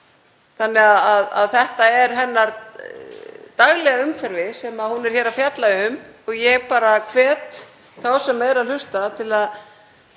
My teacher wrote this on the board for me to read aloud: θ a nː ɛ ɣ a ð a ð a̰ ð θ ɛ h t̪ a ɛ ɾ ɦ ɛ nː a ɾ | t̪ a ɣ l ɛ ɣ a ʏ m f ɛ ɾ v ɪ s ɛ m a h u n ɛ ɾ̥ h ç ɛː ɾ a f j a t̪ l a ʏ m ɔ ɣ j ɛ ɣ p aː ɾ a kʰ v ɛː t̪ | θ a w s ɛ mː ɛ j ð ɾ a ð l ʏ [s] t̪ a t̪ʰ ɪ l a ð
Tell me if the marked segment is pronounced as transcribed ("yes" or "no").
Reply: yes